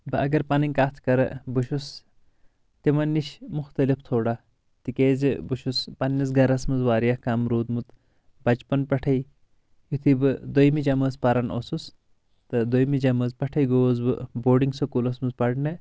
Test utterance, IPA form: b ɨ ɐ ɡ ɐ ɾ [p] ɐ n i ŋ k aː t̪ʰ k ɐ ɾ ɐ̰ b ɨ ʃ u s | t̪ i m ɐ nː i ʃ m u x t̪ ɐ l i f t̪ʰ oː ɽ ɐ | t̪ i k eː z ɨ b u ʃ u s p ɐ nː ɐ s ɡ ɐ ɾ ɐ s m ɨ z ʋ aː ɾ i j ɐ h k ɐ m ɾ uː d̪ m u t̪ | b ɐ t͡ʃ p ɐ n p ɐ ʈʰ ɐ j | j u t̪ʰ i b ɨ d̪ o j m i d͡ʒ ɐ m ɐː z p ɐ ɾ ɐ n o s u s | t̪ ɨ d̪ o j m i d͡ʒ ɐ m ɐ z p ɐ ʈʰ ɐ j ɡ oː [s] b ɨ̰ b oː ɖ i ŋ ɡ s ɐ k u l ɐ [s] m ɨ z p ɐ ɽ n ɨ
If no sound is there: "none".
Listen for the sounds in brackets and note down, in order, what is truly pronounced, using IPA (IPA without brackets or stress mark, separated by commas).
p, z, s